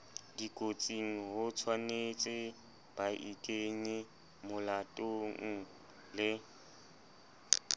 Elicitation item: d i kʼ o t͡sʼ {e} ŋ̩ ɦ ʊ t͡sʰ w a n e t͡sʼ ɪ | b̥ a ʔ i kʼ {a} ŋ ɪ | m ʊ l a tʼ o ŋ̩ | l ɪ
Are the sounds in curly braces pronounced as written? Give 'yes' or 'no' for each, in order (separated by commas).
no, no